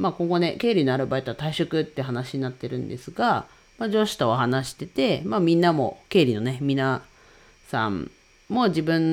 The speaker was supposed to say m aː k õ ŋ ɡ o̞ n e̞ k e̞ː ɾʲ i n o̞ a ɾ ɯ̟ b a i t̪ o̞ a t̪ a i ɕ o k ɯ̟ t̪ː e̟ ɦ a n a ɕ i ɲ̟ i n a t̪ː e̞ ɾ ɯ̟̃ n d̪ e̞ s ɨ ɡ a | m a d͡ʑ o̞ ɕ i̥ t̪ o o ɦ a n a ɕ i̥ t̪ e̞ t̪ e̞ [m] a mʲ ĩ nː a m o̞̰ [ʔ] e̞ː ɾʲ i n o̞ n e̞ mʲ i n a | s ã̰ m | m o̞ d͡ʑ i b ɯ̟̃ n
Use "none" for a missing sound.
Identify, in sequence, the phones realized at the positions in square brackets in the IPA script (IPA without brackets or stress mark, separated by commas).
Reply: m, k